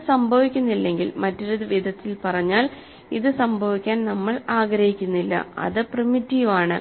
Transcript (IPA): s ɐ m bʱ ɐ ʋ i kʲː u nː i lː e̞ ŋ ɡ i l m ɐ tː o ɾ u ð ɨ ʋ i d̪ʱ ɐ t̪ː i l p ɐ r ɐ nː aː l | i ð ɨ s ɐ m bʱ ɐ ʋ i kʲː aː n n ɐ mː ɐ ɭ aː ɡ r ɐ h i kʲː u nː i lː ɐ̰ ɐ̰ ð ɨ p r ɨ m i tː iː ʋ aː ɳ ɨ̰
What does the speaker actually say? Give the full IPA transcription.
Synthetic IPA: s ɐ m bʱ ɐ ʋ i kʲː u nː i lː e̞ ŋ ɡ i l m ɐ tː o ɾ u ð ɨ ʋ i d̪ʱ ɐ t̪ː i l p ɐ r ɐ ɲː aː l | i ð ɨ s ɐ m bʱ ɐ ʋ i kʲː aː n n ɐ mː ɐ ɭ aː ɡ ɾ ɐ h i kʲː u nː i lː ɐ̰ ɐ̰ ð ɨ p r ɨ m i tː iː ʋ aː ɳ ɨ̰

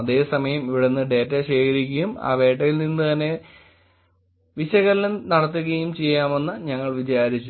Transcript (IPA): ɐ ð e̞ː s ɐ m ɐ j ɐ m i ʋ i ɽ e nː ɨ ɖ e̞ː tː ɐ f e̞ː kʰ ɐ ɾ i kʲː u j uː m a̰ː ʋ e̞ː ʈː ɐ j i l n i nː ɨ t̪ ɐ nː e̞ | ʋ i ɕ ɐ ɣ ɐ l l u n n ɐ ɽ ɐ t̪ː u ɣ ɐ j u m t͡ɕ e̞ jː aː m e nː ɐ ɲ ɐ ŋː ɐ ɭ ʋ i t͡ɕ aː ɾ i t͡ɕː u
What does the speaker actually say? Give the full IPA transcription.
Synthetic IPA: ɐ ð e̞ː s ɐ m ɐ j ɐ m i ʋ i ɽ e nː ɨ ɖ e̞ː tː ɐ ɕ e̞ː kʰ ɐ ɾ i kʲː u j u m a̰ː ʋ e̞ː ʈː ɐ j i l n i nː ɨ t̪ ɐ nː e̞ | ʋ i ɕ ɐ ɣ ɐ l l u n n ɐ ɽ ɐ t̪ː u ɣ ɐ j u m t͡ɕ e̞ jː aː m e nː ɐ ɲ ɐ ŋː ɐ ɭ ʋ i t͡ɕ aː ɾ i t͡ɕː u

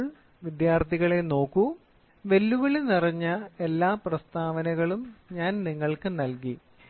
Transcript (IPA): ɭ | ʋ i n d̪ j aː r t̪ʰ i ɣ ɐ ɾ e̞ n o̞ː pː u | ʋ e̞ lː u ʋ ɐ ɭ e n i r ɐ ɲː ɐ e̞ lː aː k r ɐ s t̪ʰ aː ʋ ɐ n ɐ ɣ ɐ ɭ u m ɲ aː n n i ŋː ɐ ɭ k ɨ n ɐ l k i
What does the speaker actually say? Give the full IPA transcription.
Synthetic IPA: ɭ | ʋ i d̪ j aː r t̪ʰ i ɣ ɐ ɭ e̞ n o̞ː kː u | ʋ e̞ lː u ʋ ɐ ɭ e n i r ɐ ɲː ɐ e̞ lː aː p r ɐ s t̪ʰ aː ʋ ɐ n ɐ ɣ ɐ ɭ u m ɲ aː n n i ŋː ɐ ɭ k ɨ n ɐ l k i

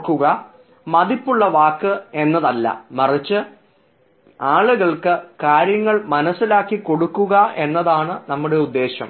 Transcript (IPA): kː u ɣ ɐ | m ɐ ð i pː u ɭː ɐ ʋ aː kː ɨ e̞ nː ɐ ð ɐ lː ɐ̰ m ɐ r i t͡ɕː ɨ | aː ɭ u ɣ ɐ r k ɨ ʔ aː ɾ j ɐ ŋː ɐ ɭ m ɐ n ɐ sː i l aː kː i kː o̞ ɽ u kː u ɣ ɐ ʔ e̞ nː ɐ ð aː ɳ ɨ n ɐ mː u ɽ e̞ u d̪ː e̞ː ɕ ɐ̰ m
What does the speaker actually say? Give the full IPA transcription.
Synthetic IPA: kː u ɣ ɐ | m ɐ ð i pː u ɭː ɐ ʋ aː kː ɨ e̞ nː ɐ ð ɐ lː ɐ̰ m ɐ r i t͡ɕː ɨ | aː ɭ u ɣ ɐ ɭ k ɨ k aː ɾ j ɐ ŋː ɐ ɭ m ɐ n ɐ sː i l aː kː i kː o̞ ɽ u kː u ɣ ɐ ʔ e̞ nː ɐ ð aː ɳ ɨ n ɐ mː u ɽ e̞ u d̪ː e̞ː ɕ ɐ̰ m

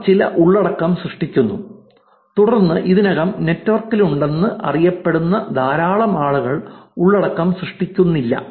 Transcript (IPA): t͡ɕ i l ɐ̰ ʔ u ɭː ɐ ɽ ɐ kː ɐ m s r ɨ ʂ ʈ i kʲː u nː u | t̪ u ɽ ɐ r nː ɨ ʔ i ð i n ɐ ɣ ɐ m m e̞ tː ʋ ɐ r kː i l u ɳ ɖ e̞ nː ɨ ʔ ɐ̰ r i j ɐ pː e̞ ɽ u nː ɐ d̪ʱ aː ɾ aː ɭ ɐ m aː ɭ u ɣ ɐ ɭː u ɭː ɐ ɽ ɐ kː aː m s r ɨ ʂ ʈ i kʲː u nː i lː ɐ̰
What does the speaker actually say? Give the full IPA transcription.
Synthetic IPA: t͡ɕ i l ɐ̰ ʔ u ɭː ɐ ɽ ɐ kː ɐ m s r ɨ ʂ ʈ i kʲː u nː u | t̪ u ɽ ɐ r nː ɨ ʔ i ð i n ɐ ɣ ɐ m n e̞ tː ʋ ɐ r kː i l u ɳ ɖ e̞ nː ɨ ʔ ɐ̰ r i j ɐ pː e̞ ɽ u nː ɐ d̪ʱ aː ɾ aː ɭ ɐ m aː ɭ u ɣ ɐ ɭ u ɭː ɐ ɽ ɐ kː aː m s r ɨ ʂ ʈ i kʲː u nː i lː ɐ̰

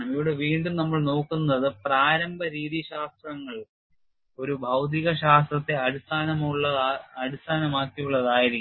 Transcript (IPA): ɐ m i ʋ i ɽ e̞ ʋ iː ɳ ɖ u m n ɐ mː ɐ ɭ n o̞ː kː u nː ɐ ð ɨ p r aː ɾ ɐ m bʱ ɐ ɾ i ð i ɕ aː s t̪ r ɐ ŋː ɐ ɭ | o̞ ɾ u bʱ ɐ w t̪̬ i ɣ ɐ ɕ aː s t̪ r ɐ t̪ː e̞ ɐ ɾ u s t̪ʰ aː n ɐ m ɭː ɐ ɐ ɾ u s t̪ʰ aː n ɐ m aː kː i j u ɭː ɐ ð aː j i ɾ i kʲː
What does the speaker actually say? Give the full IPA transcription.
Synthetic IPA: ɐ m i ʋ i ɽ e̞ ʋ iː ɳ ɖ u m n ɐ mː ɐ ɭ n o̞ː kː u nː ɐ ð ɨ p r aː ɾ ɐ m bʱ ɐ ɾ iː ð i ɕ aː s t̪ r ɐ ŋː ɐ ɭ | o̞ ɾ u bʱ ɐ w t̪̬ i ɣ ɐ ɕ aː s t̪ r ɐ t̪ː e̞ ɐ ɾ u s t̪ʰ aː n ɐ m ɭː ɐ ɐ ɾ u s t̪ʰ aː n ɐ m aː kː i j u ɭː ɐ ð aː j i ɾ i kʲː

